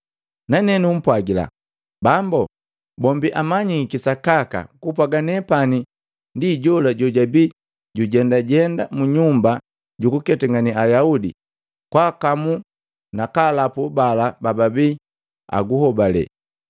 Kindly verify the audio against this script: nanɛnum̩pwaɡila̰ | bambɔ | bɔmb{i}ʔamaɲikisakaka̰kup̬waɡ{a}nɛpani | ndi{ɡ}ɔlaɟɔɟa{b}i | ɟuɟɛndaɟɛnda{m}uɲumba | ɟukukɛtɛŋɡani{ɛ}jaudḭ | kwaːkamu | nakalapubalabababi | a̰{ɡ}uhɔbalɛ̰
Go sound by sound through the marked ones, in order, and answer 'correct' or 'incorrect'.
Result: correct, correct, incorrect: ɟ, correct, correct, incorrect: a, correct

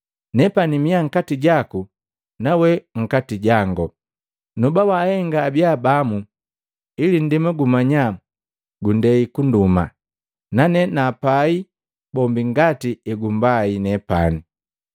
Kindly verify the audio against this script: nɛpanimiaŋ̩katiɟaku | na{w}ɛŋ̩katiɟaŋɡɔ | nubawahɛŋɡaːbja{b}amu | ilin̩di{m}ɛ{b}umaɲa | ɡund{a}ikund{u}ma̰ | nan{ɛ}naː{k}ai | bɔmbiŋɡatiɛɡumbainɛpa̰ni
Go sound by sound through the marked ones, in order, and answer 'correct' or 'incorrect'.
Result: correct, correct, correct, incorrect: ɡ, incorrect: ɛ, correct, correct, incorrect: p

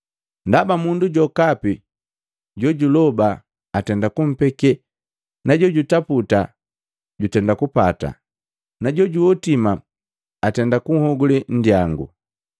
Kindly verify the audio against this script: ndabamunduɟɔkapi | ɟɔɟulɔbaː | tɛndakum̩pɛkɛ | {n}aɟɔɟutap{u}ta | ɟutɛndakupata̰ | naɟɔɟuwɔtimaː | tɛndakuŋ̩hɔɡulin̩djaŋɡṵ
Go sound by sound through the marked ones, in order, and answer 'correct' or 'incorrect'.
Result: correct, correct

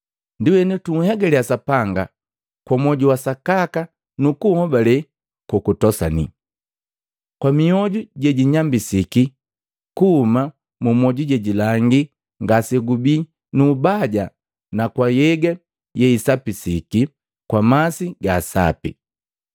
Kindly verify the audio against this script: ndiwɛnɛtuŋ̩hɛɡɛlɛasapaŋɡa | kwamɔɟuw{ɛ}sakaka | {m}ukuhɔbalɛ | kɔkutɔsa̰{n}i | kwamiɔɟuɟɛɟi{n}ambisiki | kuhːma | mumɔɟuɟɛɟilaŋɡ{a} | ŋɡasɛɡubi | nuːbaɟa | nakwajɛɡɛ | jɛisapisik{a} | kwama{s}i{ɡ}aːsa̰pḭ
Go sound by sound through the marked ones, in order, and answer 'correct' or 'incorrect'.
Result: incorrect: a, incorrect: n, correct, incorrect: ɲ, incorrect: i, incorrect: i, correct, correct

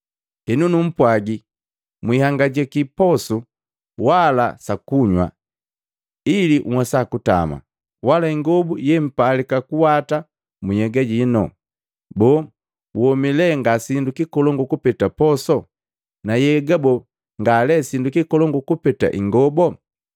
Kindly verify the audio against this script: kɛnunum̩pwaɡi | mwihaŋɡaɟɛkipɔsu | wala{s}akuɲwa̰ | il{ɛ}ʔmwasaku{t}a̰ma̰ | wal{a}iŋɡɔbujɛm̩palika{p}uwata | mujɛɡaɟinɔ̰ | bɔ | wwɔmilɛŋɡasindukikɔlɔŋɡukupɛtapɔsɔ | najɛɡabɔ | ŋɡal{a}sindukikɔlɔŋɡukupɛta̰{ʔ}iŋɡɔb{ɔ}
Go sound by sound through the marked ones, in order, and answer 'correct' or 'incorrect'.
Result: correct, incorrect: i, correct, correct, incorrect: k, incorrect: ɛ, correct, correct

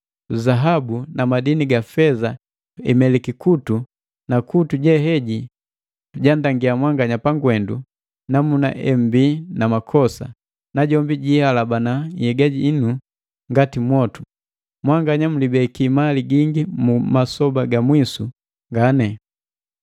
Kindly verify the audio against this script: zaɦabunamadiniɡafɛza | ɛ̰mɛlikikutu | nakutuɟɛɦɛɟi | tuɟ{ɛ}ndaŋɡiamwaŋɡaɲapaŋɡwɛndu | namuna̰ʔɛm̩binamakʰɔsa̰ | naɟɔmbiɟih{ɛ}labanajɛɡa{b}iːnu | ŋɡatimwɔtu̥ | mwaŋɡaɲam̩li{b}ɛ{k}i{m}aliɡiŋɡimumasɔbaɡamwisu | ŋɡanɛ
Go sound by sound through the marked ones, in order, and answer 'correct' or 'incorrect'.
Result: incorrect: a, incorrect: a, incorrect: ɟ, correct, correct, correct

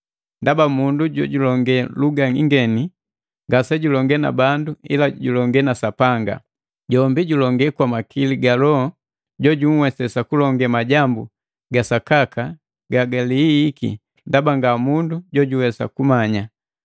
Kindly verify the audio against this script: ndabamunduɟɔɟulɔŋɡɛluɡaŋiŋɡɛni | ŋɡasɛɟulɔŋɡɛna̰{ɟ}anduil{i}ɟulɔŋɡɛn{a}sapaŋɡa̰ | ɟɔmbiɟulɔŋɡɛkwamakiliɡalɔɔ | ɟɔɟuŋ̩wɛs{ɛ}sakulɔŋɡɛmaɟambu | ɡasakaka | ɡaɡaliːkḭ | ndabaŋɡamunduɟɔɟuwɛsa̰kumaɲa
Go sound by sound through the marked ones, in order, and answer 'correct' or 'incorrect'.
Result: incorrect: b, incorrect: a, correct, correct

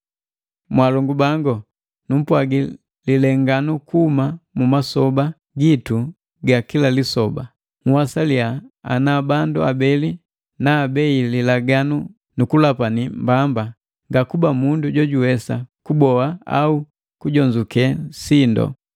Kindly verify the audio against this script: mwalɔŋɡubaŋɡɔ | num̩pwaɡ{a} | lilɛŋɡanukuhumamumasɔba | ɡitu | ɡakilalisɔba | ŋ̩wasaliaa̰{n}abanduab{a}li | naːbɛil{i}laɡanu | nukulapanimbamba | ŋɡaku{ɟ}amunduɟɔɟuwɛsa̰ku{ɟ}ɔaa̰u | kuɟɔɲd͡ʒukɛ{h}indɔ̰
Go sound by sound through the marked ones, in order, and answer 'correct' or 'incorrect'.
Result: incorrect: i, correct, incorrect: ɛ, correct, incorrect: b, incorrect: b, incorrect: s

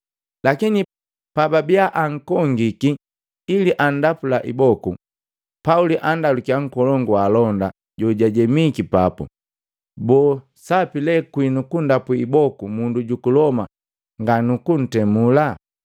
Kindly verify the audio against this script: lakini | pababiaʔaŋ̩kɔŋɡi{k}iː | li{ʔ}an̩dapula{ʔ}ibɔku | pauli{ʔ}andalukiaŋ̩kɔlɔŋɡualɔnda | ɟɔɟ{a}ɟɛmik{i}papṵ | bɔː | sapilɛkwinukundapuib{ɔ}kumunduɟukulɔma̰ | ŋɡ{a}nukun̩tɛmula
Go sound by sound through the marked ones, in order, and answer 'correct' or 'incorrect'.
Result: correct, correct, correct, correct, correct, correct, correct, correct

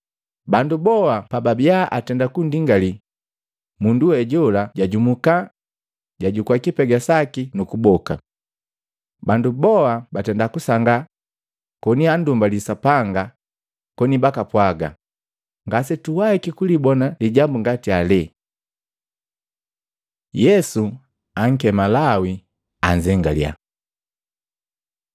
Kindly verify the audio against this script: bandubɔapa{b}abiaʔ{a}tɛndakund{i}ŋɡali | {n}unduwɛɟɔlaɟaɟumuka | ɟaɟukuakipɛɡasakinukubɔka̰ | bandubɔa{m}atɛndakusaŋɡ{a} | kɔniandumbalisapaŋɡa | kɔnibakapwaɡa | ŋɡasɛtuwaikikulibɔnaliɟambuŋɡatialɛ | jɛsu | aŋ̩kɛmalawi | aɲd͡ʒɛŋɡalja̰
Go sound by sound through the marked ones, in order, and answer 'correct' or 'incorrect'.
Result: correct, correct, correct, incorrect: m, incorrect: b, correct

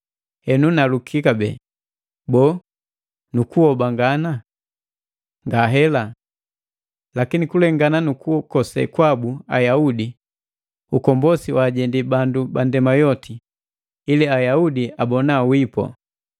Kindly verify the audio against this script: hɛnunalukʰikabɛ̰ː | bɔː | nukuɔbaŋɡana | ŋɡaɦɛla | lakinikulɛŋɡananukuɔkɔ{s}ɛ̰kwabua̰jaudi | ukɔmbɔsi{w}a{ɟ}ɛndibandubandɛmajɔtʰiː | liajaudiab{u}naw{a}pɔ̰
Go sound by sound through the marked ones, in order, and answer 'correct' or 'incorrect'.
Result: correct, correct, correct, incorrect: ɔ, incorrect: i

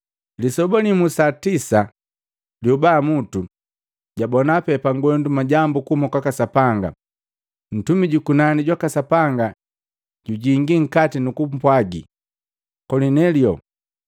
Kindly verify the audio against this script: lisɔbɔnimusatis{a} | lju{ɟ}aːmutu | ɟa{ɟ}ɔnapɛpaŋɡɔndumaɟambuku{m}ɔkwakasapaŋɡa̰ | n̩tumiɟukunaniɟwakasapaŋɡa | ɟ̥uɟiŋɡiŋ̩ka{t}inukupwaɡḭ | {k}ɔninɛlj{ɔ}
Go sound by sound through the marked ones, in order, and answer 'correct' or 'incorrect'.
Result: correct, incorrect: b, incorrect: b, correct, correct, correct, correct

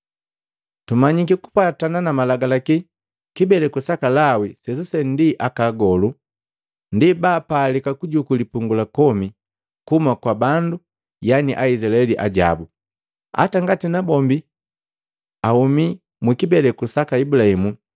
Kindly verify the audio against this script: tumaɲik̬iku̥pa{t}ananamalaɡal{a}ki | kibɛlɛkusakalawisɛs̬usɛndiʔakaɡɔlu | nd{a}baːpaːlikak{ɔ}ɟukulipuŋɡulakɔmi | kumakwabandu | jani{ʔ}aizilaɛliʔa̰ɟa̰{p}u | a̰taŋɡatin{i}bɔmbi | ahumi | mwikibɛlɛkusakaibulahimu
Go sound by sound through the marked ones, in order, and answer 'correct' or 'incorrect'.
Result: correct, correct, incorrect: i, incorrect: u, correct, incorrect: b, incorrect: a

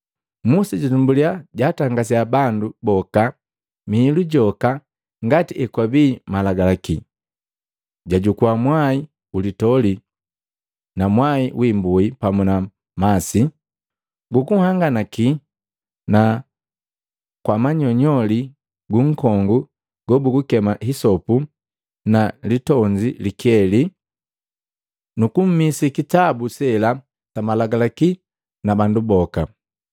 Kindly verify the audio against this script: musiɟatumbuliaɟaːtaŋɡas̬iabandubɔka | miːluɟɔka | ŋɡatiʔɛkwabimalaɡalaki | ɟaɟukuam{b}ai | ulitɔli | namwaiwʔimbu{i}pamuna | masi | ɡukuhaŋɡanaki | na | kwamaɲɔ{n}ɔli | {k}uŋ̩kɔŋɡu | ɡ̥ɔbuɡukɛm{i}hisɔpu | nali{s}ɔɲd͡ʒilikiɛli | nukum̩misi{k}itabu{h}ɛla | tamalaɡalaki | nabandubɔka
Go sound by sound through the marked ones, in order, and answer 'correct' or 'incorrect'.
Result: incorrect: w, correct, incorrect: ɲ, incorrect: ɡ, incorrect: a, incorrect: t, correct, incorrect: s

